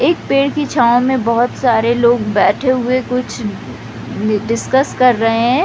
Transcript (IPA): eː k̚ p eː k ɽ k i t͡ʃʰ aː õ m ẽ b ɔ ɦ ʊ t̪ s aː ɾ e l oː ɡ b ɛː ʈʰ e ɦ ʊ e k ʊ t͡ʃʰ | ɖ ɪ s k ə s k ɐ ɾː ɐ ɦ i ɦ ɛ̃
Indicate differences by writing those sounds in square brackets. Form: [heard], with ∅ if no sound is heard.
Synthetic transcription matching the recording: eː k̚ p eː [∅] ɽ k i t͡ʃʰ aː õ m ẽ b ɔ ɦ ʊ t̪ s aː ɾ e l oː ɡ b ɛː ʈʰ e ɦ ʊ e k ʊ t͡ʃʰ | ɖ ɪ s k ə s k ɐ ɾː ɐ ɦ [e] ɦ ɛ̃